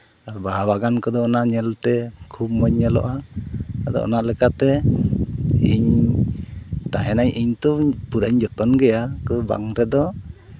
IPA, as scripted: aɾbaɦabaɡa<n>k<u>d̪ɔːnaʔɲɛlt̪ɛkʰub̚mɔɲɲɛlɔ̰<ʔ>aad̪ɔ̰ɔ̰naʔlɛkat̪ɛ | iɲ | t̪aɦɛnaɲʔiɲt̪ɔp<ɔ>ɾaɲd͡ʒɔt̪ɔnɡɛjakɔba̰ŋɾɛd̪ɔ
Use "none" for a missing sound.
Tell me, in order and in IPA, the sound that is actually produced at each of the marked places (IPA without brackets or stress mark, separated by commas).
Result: n, ɔ, ʔ, u